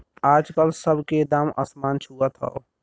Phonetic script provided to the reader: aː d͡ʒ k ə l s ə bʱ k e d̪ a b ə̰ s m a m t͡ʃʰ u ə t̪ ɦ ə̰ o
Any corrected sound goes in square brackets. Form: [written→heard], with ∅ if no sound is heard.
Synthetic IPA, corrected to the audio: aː d͡ʒ k ə l s ə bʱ k e d̪ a [b→m] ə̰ s m a [m→n] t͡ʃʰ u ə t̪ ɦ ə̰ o